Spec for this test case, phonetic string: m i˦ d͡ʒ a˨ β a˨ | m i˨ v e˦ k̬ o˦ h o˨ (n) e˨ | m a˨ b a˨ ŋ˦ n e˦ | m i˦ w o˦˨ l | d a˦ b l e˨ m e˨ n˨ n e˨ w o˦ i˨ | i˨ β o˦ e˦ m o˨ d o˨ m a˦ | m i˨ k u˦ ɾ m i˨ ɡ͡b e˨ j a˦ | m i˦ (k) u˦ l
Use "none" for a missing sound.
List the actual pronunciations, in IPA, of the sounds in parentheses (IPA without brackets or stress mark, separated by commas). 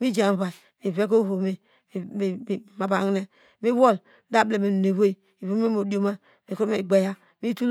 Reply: m, t